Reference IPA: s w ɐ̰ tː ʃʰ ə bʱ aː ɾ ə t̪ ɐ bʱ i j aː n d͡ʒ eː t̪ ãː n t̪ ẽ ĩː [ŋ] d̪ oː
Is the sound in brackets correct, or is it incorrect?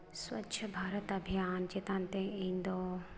incorrect: n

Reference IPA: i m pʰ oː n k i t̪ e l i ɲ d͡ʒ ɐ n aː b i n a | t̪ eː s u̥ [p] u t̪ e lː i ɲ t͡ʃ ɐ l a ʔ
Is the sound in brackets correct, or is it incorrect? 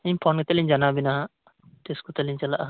incorrect: k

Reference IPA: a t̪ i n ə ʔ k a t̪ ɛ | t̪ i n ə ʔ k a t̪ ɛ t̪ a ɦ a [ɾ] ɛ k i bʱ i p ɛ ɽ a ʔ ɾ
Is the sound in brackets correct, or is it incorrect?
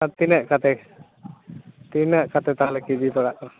incorrect: l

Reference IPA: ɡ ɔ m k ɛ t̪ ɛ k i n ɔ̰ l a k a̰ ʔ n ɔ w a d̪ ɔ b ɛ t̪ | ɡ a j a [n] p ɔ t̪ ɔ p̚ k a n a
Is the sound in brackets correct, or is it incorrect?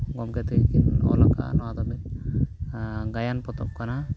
correct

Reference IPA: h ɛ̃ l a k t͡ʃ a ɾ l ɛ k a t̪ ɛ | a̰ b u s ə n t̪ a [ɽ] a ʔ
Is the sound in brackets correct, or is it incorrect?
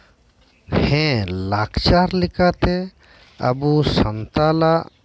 incorrect: l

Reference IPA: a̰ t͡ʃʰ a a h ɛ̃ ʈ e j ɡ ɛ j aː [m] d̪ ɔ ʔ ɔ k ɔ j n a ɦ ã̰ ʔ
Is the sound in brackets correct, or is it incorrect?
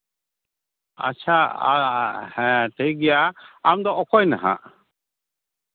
correct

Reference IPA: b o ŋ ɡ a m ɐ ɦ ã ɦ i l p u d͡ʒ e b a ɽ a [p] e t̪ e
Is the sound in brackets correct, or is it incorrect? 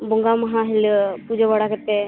incorrect: k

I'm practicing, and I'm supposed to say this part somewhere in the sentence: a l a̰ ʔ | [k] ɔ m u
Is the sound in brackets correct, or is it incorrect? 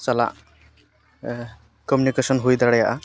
correct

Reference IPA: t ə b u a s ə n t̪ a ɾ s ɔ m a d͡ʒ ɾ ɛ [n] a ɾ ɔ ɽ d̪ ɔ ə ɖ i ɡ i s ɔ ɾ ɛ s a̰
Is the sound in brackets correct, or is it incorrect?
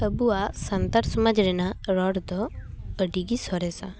correct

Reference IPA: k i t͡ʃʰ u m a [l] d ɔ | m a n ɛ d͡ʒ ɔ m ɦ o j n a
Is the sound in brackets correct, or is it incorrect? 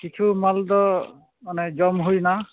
correct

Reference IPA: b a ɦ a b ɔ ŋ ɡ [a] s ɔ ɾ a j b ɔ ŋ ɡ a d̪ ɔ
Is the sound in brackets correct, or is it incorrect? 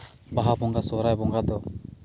correct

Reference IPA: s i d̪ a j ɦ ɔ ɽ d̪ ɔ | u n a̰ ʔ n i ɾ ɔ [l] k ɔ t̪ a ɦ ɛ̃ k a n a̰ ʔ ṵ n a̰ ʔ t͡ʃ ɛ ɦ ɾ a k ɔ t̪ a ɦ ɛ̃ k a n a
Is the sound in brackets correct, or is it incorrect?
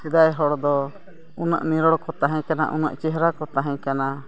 incorrect: ɽ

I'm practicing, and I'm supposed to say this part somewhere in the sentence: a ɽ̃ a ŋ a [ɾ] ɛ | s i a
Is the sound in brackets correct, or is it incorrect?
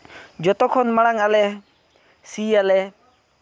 incorrect: l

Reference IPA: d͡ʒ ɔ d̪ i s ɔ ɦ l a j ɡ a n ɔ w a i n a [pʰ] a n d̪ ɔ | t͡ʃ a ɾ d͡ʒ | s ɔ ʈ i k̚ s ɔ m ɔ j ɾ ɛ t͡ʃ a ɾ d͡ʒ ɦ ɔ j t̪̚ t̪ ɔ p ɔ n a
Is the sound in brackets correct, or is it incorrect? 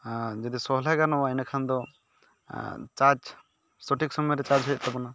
incorrect: kʰ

